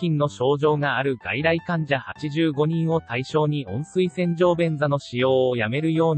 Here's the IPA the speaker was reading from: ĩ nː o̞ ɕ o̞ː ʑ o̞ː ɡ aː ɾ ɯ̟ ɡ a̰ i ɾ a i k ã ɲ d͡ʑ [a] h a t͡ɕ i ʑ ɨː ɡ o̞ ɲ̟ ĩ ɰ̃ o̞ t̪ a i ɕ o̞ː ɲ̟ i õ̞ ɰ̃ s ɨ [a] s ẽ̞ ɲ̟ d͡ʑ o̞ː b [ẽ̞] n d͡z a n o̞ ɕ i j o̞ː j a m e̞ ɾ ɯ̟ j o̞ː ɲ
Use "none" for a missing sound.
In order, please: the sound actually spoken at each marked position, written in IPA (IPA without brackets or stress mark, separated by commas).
a, i, ẽ̞